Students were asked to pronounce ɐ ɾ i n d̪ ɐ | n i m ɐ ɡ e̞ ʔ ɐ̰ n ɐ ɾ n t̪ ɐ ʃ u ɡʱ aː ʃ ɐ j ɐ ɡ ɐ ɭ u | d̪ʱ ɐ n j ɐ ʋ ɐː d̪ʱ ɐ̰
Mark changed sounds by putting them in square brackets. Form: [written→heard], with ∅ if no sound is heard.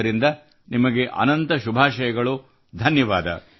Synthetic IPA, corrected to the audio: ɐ ɾ i n d̪ ɐ | n i m ɐ ɡ e̞ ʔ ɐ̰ n ɐ [ɾ→∅] n t̪ ɐ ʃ u [ɡʱ→bʱ] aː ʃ ɐ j ɐ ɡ ɐ ɭ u | d̪ʱ ɐ n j ɐ ʋ [ɐː→aː] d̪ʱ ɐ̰